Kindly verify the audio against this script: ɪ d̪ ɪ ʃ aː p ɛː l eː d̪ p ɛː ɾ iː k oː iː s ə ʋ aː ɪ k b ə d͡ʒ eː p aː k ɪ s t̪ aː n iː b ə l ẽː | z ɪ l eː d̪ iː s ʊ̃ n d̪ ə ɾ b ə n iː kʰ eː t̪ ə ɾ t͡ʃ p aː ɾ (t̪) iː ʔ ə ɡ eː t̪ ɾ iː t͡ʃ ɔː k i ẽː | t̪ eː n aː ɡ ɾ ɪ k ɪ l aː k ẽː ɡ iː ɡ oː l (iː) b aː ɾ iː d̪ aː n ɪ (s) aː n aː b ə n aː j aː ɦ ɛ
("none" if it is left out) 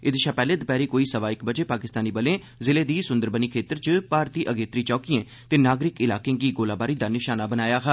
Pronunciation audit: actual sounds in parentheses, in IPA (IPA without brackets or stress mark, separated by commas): t̪, aː, ʃ